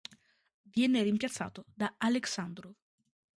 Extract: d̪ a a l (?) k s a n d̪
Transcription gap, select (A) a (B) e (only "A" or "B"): B